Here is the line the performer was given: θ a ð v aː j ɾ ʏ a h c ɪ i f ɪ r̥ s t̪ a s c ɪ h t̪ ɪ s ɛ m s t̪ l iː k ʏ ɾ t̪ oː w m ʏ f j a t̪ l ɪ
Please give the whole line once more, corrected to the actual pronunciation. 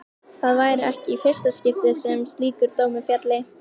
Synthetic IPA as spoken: θ a ð v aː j ɾ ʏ ɛ h c ɪ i f ɪ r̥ s t̪ a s c ɪ f t̪ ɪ s ɛ m s t̪ l iː k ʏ ɾ t̪ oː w m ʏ f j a t̪ l ɪ